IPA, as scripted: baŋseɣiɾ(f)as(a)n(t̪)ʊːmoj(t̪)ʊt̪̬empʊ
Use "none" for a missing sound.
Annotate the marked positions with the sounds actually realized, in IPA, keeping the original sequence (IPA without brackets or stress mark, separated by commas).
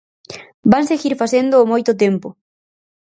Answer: f, e, d̪, t̪